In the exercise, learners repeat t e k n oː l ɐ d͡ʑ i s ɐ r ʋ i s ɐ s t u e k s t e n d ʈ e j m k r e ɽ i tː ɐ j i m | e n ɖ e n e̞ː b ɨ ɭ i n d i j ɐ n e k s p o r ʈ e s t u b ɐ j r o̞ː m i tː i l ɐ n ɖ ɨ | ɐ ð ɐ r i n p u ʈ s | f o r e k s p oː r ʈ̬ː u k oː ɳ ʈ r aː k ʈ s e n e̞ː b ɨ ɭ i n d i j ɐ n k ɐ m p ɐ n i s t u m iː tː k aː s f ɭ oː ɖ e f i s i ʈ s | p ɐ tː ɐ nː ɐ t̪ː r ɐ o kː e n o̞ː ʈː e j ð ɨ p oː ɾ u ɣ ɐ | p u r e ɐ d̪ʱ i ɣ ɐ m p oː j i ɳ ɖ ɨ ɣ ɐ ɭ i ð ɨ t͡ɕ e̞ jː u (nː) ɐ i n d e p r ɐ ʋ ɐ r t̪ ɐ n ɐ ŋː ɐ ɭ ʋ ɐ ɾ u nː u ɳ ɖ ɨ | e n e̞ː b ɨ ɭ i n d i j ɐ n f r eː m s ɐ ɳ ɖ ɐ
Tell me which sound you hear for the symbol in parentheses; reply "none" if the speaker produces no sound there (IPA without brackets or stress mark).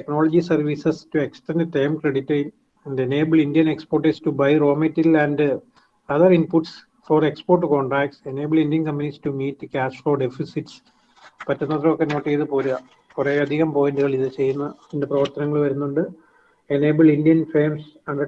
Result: nː